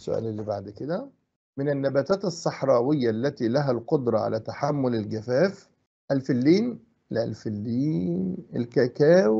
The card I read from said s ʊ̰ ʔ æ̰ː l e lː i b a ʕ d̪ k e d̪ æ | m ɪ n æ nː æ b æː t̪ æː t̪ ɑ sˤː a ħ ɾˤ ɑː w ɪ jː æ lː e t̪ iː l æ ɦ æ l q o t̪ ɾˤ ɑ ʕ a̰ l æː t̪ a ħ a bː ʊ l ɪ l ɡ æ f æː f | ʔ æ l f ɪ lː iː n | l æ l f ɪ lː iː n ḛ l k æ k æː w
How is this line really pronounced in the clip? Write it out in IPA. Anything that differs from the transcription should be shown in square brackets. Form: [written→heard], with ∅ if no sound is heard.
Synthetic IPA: s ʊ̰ ʔ æ̰ː l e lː i b a ʕ d̪ k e d̪ æ | m ɪ n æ nː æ b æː t̪ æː t̪ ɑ sˤː [a→ɑ] ħ ɾˤ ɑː w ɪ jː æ lː [e→æ] t̪ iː l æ ɦ æ l q o [t̪→d̪] ɾˤ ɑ ʕ a̰ l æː t̪ a ħ a [bː→mː] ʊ l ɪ l ɡ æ f æː f | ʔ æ l f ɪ lː iː n | l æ l f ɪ lː iː n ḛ l k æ k æː w